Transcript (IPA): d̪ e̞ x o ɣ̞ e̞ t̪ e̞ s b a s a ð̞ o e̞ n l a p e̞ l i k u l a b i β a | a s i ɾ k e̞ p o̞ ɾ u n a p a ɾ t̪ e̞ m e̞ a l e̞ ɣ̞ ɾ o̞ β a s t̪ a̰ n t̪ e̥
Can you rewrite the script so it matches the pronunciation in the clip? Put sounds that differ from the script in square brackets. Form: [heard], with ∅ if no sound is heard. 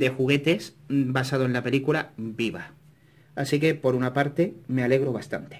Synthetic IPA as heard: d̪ e̞ x [u] ɣ̞ e̞ t̪ e̞ s b a s a ð̞ o e̞ n l a p e̞ l i k u l a b i β a | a s i [∅] k e̞ p o̞ ɾ u n a p a ɾ t̪ e̞ m e̞ a l e̞ ɣ̞ ɾ o̞ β a s t̪ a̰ n t̪ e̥